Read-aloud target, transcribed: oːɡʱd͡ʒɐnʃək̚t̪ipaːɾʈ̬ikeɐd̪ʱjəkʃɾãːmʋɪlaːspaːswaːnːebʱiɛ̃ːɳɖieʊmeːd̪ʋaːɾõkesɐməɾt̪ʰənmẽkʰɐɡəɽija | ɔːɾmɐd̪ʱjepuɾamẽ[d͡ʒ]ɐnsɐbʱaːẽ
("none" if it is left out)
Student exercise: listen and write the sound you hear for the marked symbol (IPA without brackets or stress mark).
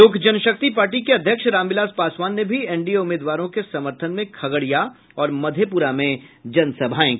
d͡ʒ